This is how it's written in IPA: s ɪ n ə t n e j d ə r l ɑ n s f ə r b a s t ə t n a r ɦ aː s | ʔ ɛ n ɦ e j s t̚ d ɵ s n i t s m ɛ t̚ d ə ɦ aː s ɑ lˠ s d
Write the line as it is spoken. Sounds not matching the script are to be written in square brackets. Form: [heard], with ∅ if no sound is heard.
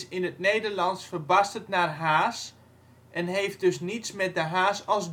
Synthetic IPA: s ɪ n ə t n e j d ə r l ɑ n s f ə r b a s t ə t n a r ɦ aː s | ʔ ɛ n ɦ e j [f] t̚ d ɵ s n i t s m ɛ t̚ d ə ɦ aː s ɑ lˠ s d